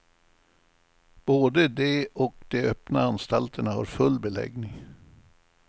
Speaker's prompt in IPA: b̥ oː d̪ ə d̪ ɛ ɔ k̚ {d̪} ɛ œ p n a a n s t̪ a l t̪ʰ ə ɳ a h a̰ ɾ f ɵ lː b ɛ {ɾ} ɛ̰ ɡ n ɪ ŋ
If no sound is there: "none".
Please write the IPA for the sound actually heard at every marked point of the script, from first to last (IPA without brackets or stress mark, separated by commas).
d̪, l